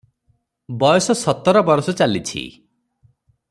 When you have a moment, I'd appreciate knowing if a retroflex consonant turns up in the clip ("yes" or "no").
no